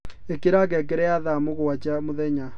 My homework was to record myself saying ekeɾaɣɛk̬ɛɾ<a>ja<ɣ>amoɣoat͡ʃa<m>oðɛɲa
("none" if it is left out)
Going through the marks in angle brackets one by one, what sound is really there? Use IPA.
ɛ, ð, m

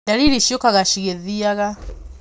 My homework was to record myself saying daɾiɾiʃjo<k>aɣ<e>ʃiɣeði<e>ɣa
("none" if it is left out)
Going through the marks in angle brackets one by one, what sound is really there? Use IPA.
k, a, a

